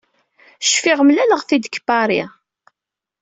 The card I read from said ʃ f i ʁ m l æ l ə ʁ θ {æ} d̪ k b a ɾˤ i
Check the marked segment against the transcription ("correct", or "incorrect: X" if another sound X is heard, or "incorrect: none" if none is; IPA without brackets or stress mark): incorrect: i